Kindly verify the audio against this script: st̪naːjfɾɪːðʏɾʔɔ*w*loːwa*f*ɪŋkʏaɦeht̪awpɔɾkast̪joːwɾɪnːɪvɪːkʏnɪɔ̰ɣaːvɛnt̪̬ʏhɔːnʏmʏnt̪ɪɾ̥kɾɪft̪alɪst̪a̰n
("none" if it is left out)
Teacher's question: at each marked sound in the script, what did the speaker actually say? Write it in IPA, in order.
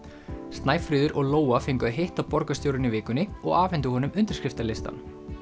ɣ, f

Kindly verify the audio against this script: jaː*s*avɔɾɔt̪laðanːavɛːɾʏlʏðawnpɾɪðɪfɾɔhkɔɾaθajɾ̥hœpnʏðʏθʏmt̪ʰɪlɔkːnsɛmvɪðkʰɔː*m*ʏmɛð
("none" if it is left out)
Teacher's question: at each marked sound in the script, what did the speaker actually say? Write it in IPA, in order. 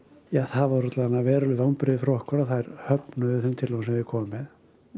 θ, m

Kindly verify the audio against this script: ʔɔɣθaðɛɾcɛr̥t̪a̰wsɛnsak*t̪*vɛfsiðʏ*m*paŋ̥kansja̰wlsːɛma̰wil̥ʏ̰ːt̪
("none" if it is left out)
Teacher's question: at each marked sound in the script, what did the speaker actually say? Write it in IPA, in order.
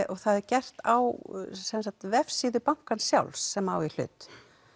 t̪, none

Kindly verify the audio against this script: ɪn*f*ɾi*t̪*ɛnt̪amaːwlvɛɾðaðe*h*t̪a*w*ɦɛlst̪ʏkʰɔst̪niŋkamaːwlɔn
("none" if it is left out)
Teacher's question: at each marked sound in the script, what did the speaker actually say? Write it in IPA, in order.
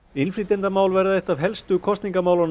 f, t̪, h, v

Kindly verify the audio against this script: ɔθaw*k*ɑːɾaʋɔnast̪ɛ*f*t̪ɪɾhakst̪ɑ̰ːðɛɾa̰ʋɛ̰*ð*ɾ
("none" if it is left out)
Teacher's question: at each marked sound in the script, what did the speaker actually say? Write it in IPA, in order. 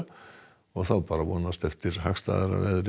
p, f, ð

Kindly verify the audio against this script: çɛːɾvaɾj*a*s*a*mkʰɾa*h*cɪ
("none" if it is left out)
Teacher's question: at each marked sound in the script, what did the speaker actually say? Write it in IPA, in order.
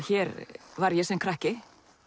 ɛ, ɛ, h

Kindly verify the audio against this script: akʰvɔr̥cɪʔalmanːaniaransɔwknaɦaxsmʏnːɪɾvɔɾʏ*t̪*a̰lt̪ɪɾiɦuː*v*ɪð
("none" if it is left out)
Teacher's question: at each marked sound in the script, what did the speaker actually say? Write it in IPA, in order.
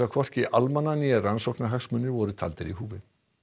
t̪ʰ, v

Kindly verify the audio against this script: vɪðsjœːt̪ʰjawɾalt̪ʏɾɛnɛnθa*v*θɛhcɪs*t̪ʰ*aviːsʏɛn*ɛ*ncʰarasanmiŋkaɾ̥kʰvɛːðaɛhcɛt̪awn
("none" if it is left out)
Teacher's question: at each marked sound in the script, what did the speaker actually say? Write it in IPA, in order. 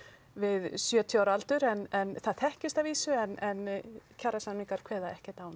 ð, t̪, ɛ

